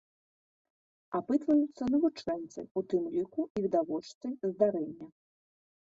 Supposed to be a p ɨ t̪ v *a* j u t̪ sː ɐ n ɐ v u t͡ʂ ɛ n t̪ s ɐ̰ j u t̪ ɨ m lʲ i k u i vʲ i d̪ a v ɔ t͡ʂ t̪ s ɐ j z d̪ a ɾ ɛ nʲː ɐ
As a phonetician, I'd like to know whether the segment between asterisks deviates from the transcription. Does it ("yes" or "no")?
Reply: yes